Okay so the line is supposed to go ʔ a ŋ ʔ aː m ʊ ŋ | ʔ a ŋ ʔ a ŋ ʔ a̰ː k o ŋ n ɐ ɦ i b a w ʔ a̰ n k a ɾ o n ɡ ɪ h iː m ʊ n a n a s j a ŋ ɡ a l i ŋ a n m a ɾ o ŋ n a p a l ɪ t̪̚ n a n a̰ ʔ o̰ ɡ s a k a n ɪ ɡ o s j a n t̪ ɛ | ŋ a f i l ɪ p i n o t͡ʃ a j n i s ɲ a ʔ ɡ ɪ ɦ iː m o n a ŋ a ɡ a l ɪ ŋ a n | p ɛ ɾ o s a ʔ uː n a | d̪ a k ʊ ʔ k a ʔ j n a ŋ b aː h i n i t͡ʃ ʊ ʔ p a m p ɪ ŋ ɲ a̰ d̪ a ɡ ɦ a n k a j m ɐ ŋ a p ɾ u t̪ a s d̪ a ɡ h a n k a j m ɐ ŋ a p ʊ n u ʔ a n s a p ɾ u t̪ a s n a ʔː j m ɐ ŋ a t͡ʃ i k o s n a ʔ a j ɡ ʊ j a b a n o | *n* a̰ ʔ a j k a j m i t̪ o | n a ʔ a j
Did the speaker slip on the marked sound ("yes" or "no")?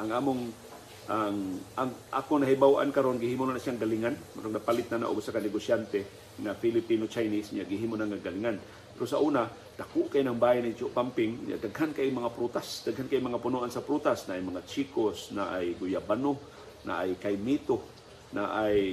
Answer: no